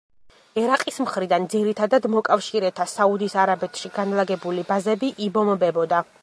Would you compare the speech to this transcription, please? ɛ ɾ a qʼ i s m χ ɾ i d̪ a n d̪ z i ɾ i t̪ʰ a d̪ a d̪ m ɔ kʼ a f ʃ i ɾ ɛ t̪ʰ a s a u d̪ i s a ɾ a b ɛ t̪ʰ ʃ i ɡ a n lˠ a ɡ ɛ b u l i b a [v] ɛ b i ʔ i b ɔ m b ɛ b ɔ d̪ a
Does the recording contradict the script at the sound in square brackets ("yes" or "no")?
yes